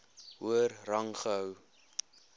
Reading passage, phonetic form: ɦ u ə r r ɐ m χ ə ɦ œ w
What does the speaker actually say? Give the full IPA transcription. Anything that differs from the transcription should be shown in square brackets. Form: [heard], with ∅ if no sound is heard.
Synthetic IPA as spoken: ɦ u ə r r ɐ [ŋ] χ ə ɦ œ w